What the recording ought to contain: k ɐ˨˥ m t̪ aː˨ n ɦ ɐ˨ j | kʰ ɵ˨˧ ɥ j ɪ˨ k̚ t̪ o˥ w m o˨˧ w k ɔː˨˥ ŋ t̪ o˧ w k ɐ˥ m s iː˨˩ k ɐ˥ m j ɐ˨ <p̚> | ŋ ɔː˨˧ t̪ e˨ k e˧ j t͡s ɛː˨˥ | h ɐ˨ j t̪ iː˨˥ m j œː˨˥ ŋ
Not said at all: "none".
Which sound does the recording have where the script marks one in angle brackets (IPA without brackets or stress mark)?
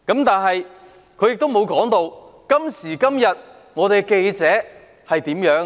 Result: t̚